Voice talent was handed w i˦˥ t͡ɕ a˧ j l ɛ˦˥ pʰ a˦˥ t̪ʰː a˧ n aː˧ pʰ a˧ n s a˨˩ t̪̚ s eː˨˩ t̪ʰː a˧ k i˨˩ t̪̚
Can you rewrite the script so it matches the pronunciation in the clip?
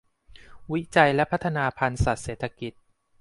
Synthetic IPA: w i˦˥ t͡ɕ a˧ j l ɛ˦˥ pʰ a˦˥ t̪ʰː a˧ n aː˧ pʰ a˧ n s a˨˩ t̪̚ s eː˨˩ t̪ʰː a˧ k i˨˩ t̪̚

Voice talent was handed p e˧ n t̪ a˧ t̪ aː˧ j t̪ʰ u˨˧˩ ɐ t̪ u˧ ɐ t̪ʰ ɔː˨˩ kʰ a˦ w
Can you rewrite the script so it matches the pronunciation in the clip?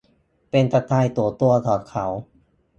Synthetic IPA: p e˧ n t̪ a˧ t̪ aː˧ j t̪ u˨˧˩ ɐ t̪ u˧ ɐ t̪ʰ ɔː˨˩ kʰ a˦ w

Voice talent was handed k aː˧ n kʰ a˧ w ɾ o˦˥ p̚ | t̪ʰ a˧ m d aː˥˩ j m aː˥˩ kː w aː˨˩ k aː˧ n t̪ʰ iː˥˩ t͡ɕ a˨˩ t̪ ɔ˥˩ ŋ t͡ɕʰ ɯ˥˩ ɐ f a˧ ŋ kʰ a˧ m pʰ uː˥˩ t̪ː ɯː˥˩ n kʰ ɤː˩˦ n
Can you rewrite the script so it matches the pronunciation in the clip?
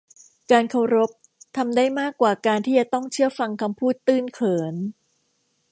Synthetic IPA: k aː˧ n kʰ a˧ w ɾ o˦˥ p̚ | t̪ʰ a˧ m d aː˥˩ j m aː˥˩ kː w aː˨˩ k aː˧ n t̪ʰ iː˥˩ t͡ɕ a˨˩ t̪ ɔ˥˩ ŋ t͡ɕʰ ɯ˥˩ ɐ f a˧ ŋ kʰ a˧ m pʰ uː˥˩ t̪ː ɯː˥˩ n kʰ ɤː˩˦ n

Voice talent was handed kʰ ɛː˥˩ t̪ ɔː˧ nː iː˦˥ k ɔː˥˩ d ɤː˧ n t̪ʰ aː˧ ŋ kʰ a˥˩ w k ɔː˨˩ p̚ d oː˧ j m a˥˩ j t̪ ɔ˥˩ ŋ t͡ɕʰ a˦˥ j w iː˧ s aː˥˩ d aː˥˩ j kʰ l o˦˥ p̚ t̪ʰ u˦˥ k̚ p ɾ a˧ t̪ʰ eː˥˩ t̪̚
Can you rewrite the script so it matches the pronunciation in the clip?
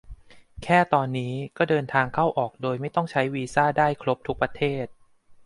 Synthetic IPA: kʰ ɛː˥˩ t̪ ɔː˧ nː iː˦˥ k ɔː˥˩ d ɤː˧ n t̪ʰ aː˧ ŋ kʰ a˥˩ w ʔ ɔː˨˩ k̚ d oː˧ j m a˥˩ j t̪ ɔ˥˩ ŋ t͡ɕʰ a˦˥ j w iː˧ s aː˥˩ d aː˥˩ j kʰ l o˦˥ p̚ t̪ʰ u˦˥ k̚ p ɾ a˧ t̪ʰ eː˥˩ t̪̚

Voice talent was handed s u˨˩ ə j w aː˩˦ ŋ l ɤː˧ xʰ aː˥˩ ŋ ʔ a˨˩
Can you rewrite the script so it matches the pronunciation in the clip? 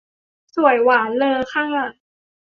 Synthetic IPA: s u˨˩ ə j w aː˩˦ n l ɤː˧ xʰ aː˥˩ ŋ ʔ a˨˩

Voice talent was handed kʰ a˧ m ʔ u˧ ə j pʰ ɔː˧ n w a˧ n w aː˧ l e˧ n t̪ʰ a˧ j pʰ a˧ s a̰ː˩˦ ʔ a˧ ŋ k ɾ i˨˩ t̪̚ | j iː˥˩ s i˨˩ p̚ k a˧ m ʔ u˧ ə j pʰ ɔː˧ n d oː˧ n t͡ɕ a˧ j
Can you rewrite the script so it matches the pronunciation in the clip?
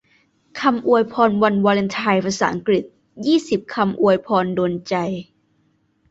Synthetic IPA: kʰ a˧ m ʔ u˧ ə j pʰ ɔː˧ n w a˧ n w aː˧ l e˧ n t̪ʰ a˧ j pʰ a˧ s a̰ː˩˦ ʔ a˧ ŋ k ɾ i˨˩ t̪̚ | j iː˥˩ s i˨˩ p̚ kʰ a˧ m ʔ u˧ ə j pʰ ɔː˧ n d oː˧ n t͡ɕ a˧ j

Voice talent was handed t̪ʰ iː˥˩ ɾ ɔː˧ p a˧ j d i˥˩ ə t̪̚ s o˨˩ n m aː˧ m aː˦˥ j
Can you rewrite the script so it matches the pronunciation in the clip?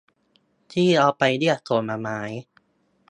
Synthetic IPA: t̪ʰ iː˥˩ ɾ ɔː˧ p a˧ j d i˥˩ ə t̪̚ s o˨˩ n m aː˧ m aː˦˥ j

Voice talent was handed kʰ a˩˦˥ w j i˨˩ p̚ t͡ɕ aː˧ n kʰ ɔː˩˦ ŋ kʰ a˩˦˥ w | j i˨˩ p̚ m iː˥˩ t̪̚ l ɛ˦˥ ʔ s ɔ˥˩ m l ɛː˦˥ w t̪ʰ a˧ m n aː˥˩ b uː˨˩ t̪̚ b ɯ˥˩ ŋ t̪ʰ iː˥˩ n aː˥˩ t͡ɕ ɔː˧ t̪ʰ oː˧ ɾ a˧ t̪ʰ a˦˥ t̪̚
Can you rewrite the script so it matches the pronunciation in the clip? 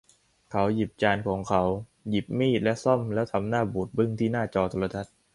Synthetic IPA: kʰ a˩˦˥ w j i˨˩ p̚ t͡ɕ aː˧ n kʰ ɔː˩˦ ŋ kʰ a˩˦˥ w | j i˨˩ p̚ m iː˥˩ t̪̚ l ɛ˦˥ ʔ s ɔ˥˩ m l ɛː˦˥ w t̪ʰ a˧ m n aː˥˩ b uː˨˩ t̪̚ b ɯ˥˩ ŋ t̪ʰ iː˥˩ n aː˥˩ t͡ɕ ɔː˧ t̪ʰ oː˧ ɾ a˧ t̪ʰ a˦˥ t̪̚

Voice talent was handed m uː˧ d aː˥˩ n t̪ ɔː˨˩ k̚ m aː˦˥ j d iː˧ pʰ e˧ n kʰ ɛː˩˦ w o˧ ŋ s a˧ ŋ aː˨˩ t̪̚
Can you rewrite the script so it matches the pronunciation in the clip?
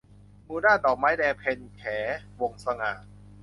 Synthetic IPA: m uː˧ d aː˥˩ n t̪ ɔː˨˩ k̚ m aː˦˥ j d ɛː˧ pʰ e˧ n kʰ ɛː˩˦ w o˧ ŋ s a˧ ŋ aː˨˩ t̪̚

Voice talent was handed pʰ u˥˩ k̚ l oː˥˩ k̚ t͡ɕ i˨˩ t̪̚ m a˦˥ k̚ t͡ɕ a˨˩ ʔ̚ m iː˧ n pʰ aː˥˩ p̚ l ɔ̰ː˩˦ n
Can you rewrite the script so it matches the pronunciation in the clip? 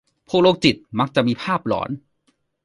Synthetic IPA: pʰ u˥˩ k̚ l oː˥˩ k̚ t͡ɕ i˨˩ t̪̚ m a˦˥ k̚ t͡ɕ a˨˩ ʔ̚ m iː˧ pʰ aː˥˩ p̚ l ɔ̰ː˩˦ n

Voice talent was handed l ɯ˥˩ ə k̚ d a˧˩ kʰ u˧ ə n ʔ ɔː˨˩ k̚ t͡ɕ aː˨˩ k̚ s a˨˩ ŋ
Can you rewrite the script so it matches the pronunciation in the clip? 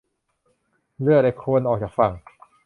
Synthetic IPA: l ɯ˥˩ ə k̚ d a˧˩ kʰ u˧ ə n ʔ ɔː˨˩ k̚ t͡ɕ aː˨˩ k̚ f a˨˩ ŋ

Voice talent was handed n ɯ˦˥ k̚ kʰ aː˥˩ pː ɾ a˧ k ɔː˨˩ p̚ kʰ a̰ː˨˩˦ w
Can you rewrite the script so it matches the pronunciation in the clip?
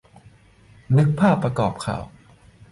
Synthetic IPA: n ɯ˦˥ k̚ pʰ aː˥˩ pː ɾ a˧ k ɔː˨˩ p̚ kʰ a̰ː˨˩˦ w

